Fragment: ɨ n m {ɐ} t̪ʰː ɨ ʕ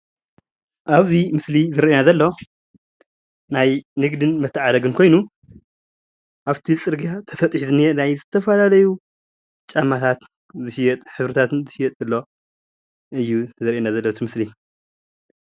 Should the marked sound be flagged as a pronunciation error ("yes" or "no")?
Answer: no